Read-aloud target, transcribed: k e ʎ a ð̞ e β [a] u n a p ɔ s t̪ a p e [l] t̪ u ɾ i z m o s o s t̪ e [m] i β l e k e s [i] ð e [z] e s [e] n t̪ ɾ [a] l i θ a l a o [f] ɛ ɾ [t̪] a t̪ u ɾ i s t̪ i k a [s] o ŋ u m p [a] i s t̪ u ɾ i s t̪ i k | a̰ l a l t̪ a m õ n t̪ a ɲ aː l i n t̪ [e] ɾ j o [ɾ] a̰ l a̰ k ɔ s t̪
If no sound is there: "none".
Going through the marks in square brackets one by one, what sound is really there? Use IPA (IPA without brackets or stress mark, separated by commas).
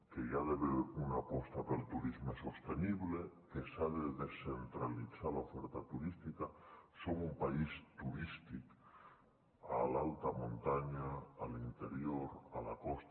e, l, n, a, ð, e, a, f, t̪, s, a, e, ɾ